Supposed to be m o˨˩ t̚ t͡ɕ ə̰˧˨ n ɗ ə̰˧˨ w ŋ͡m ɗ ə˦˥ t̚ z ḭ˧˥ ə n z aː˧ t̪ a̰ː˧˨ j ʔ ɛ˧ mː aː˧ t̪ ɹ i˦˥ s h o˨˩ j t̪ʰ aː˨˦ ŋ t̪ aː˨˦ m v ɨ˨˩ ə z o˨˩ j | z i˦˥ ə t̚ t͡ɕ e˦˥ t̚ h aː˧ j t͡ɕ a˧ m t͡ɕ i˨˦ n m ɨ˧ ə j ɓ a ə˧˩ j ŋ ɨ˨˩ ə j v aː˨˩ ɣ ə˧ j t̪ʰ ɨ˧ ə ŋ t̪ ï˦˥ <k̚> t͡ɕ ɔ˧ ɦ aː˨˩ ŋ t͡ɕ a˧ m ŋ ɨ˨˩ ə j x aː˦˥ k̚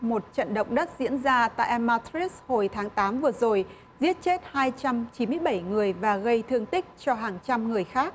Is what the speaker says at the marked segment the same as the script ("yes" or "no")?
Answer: yes